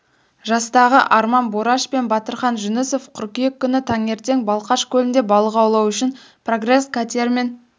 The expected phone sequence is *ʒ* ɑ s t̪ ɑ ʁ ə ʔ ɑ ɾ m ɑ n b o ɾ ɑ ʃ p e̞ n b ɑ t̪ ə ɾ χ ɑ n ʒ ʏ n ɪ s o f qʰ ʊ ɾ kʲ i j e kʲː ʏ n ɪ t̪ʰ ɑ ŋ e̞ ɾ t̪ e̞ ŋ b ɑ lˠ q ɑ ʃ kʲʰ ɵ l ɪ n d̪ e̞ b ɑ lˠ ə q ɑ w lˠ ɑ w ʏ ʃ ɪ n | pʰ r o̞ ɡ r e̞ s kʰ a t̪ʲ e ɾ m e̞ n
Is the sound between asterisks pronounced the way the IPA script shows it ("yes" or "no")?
yes